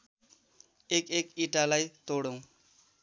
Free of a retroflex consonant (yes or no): no